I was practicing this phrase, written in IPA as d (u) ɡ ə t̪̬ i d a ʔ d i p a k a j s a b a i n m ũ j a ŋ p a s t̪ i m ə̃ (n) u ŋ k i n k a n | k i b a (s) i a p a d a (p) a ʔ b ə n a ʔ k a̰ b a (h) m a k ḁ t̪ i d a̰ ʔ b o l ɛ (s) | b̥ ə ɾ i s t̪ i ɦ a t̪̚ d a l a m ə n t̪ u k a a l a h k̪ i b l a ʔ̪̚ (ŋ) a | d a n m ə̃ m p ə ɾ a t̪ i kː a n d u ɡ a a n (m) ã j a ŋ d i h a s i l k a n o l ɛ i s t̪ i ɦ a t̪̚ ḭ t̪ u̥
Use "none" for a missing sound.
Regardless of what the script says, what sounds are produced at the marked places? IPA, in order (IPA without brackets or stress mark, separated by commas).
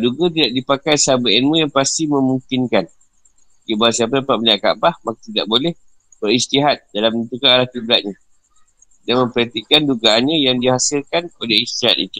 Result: u, m, s, p, h, h, ɲ, ɲ